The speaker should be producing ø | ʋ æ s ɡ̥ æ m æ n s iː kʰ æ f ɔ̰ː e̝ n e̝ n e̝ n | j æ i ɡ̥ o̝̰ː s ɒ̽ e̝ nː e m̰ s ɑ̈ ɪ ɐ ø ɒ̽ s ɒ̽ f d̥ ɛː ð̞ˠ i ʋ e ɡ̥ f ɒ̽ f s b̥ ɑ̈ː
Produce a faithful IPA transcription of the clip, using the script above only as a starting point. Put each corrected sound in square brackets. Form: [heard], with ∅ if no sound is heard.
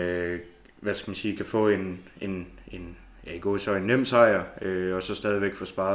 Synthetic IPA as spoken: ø | ʋ æ s ɡ̥ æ m æ n s iː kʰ æ f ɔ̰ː e̝ n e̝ n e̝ n | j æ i ɡ̥ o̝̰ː s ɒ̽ e̝ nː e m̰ s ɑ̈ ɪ ɐ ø ɒ̽ s ɒ̽ [s] d̥ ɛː ð̞ˠ i ʋ e ɡ̥ f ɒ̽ [∅] s b̥ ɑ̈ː